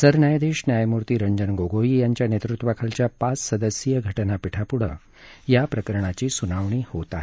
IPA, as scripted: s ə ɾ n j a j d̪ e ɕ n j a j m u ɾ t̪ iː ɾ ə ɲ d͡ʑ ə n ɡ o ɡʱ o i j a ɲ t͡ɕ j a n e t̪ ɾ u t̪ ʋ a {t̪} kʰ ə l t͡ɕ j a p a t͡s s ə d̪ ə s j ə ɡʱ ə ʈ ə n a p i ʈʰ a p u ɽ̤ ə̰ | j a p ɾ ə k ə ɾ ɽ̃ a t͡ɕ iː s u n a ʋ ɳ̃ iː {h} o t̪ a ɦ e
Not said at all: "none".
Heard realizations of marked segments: none, h

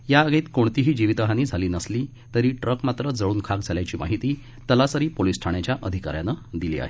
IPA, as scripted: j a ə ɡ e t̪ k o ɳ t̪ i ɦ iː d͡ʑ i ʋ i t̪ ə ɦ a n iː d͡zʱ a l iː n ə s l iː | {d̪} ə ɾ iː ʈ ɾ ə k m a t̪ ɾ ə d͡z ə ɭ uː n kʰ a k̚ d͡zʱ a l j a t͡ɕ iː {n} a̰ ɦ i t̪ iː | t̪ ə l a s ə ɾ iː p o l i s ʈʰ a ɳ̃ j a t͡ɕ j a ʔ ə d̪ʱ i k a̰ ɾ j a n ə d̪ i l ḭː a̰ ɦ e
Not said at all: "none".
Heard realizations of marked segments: t̪, m

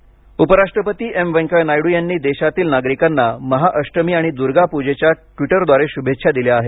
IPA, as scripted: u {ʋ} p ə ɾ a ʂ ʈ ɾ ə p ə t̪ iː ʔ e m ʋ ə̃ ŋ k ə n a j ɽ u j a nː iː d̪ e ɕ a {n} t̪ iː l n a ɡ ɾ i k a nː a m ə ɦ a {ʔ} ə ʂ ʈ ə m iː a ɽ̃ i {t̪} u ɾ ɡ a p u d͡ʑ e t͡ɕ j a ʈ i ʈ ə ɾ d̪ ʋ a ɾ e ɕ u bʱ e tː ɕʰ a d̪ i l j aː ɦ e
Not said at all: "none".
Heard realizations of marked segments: none, none, ʔ, d̪

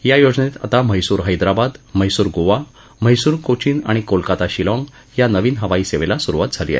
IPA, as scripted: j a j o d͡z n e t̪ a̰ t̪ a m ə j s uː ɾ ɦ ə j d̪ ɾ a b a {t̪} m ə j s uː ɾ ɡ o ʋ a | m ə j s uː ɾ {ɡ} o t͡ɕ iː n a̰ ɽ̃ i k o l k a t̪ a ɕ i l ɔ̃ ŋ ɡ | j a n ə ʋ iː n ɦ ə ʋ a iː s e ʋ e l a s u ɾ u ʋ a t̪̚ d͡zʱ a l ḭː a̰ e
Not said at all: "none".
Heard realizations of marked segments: d̪, k

